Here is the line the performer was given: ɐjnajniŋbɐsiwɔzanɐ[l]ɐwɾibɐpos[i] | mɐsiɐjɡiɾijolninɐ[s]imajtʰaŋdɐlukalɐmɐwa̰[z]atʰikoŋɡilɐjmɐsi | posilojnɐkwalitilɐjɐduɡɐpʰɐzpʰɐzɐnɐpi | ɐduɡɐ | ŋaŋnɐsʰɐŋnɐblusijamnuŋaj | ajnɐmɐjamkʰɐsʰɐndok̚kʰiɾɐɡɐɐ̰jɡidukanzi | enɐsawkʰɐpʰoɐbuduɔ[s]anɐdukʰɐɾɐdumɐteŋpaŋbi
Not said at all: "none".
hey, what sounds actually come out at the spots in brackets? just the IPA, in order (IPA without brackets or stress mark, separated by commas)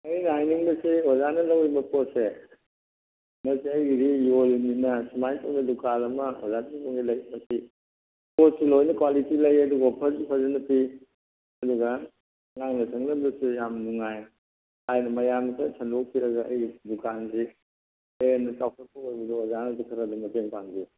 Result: l, e, s, z, z